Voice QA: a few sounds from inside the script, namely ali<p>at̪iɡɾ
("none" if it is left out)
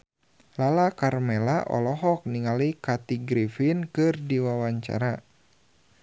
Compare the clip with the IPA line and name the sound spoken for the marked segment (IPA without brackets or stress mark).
k